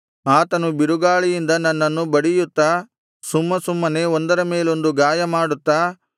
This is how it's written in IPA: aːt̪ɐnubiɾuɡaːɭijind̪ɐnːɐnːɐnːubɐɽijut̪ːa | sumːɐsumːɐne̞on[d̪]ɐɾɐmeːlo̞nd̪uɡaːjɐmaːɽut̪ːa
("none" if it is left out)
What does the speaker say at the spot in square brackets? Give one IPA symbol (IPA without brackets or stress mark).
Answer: d̪